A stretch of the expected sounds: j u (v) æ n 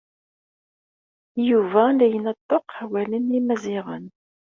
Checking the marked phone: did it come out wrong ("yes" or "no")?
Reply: no